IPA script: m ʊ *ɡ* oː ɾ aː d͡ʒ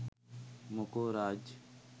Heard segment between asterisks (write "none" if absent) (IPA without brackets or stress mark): k